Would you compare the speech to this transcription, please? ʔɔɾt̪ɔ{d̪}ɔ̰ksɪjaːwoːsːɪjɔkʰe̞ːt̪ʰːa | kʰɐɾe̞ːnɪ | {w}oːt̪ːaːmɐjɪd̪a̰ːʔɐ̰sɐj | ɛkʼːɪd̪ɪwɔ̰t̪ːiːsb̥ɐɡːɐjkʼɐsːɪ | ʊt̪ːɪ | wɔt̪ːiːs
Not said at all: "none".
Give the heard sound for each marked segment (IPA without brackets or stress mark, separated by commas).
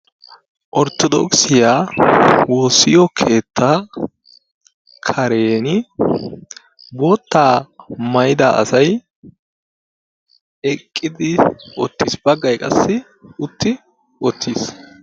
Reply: d̪, b